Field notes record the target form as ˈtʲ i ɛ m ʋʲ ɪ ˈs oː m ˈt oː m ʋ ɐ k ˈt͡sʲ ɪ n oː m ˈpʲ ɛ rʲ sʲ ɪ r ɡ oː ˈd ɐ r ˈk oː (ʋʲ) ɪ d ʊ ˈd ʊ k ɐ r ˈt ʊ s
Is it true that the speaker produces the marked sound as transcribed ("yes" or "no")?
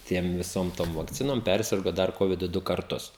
yes